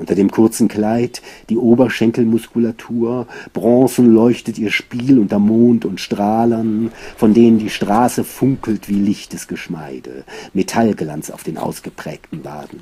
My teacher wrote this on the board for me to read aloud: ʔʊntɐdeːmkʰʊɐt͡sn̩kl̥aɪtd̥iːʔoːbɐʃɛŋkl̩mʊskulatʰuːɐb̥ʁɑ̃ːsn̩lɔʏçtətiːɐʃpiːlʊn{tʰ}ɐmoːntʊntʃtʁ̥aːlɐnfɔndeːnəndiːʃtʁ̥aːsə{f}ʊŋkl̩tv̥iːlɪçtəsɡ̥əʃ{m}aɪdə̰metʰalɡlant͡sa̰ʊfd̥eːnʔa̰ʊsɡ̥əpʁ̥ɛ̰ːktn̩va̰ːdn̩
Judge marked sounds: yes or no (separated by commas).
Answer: no, yes, yes